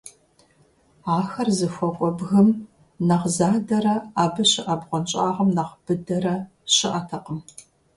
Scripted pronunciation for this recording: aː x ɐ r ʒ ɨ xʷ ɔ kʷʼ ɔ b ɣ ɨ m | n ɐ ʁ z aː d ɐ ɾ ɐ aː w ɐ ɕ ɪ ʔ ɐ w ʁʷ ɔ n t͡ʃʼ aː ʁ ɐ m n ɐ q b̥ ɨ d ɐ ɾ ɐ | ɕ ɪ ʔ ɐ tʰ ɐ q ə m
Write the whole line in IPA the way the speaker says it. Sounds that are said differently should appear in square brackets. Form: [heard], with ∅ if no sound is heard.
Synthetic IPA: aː x ɐ r [z] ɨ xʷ ɔ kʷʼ ɔ b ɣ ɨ m | n ɐ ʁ z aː d ɐ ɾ ɐ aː [b] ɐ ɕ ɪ ʔ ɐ [b] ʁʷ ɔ n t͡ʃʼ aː ʁ ɐ m n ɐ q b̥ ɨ d ɐ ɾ ɐ | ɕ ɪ ʔ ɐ tʰ ɐ q ə m